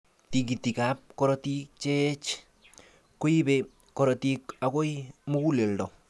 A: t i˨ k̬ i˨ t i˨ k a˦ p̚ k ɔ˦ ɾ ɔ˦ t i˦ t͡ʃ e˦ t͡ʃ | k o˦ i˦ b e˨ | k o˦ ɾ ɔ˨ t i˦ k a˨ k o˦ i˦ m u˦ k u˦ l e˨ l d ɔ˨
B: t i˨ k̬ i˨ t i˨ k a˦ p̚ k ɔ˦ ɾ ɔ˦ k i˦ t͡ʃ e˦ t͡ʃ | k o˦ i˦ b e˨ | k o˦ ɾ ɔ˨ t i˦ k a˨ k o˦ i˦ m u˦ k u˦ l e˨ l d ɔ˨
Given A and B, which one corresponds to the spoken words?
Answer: A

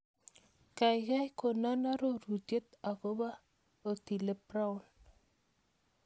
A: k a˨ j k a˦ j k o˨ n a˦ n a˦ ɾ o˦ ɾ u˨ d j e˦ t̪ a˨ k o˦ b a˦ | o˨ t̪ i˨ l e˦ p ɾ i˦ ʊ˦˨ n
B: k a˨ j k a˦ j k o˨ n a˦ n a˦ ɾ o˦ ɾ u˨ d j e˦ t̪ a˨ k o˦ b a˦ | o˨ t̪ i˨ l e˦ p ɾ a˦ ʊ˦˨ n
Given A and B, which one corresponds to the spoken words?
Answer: B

